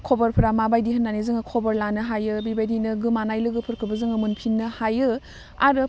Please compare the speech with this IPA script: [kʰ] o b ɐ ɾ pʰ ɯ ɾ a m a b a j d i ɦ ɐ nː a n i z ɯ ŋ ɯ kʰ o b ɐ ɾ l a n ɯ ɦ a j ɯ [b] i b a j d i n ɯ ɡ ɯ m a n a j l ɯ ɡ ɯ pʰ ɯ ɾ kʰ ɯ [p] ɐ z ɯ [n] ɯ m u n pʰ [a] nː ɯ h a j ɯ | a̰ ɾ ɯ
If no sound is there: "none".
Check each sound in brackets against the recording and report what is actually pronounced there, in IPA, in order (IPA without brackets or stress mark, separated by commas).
kʰ, b, b, ŋ, i